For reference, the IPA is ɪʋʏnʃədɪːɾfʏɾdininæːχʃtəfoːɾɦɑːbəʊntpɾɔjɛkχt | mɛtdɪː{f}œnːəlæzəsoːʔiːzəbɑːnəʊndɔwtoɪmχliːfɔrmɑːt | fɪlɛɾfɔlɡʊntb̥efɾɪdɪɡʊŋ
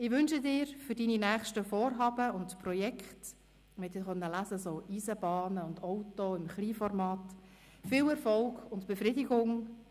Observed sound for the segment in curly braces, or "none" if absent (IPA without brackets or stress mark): χ